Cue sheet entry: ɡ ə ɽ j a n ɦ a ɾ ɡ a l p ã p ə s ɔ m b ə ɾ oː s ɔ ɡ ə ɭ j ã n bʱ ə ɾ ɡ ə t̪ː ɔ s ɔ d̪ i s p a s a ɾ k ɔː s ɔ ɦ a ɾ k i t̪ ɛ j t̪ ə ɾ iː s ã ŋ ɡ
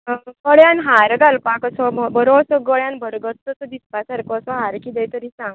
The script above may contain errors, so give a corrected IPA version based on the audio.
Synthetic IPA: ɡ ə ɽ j a n ɦ a ɾ ɡ a l p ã k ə s ɔ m b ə ɾ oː s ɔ ɡ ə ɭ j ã n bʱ ə ɾ ɡ ə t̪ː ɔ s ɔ d̪ i s p a s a ɾ k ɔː s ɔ ɦ a ɾ k i d̪ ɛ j t̪ ə ɾ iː s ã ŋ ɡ